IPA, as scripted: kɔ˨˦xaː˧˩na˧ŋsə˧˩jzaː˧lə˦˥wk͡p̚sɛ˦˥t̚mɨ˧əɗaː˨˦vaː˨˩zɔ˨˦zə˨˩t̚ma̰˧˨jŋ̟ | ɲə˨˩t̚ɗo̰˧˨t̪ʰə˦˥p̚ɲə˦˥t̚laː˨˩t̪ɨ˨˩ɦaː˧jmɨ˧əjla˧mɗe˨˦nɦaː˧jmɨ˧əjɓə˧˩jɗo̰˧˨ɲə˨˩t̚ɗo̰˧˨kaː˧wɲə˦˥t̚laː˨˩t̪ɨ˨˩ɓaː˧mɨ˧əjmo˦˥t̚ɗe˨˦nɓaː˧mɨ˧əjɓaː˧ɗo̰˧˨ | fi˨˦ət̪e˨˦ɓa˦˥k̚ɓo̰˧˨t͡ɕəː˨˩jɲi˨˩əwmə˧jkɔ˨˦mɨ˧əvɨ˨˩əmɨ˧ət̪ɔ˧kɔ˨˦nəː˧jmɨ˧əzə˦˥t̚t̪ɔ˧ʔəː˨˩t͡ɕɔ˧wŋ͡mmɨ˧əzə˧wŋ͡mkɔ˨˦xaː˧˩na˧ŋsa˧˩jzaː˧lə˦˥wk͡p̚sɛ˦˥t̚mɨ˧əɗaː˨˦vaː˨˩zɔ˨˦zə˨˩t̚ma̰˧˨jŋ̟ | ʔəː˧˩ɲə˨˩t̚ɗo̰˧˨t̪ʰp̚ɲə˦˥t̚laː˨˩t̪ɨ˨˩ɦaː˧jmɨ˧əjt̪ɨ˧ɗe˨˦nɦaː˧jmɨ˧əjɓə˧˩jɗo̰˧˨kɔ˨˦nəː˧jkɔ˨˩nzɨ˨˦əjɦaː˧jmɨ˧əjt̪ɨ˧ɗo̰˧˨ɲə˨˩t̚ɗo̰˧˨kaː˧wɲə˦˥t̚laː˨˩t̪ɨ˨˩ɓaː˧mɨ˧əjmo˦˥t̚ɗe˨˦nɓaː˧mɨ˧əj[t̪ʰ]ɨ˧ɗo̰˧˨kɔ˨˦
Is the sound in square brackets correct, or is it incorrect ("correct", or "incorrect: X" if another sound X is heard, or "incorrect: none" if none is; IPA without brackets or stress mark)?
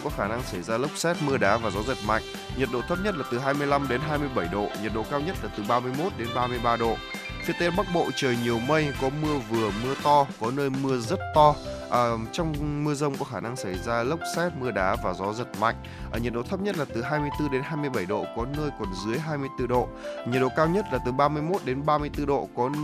incorrect: t̪